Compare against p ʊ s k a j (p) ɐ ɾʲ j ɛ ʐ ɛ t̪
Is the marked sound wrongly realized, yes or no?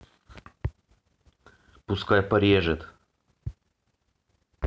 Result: no